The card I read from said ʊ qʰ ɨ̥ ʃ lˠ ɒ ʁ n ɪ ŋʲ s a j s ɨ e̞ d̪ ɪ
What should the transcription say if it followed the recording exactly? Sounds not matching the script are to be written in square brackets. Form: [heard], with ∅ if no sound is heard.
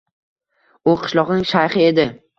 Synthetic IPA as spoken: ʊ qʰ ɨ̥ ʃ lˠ ɒ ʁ n ɪ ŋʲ [ʃ] a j [χ] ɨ e̞ d̪ ɪ